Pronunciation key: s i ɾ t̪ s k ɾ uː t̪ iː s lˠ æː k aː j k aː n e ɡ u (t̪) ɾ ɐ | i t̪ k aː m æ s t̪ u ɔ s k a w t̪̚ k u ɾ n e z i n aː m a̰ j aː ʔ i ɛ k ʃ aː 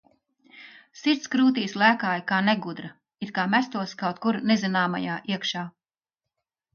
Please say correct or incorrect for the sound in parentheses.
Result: incorrect